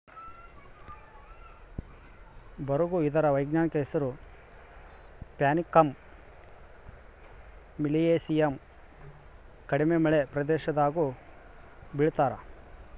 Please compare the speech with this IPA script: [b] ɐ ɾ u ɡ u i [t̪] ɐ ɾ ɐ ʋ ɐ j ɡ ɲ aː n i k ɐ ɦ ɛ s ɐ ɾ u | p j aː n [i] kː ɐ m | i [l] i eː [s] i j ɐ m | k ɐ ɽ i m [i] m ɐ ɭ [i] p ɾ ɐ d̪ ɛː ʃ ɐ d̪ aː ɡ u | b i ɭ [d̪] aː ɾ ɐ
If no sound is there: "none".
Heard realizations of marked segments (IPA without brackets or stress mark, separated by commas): b, d̪, i, l, s, e, e, t̪